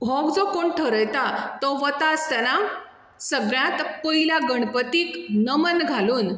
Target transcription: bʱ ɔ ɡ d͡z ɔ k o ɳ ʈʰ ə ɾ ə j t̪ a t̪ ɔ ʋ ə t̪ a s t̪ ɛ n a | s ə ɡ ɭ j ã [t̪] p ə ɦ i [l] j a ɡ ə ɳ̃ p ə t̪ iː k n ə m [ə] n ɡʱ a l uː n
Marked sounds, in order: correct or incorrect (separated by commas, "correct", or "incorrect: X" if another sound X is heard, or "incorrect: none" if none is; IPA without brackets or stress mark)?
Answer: correct, correct, correct